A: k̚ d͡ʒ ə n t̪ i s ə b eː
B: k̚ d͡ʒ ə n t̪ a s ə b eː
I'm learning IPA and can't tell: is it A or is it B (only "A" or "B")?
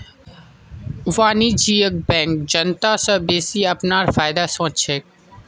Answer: B